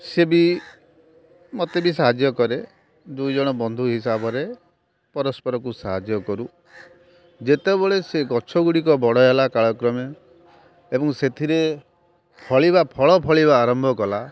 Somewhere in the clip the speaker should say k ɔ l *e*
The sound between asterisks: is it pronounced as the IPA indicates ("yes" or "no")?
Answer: no